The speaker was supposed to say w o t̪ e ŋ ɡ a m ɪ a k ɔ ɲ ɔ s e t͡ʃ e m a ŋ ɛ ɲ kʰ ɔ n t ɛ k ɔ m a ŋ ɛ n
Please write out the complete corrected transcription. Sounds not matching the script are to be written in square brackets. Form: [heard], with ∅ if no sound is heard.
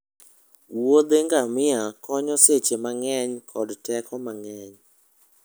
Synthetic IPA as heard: w o [d̪] e ŋ ɡ a m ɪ a k ɔ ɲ ɔ s e t͡ʃ e m a ŋ ɛ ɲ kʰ ɔ [d] t ɛ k ɔ m a ŋ ɛ [ɲ]